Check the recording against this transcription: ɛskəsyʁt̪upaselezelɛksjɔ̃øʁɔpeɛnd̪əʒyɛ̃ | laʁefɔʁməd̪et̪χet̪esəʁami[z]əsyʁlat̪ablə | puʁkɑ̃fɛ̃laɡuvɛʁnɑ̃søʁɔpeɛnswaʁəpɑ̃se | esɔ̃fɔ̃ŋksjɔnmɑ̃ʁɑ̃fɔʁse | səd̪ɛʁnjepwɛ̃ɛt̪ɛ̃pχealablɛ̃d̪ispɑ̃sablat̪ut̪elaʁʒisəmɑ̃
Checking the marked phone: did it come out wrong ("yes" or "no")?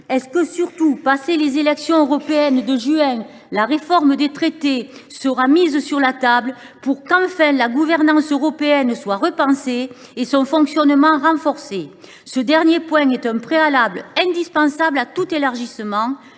no